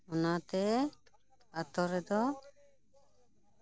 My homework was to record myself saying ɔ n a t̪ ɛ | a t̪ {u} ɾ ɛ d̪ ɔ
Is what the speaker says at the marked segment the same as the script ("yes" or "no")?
no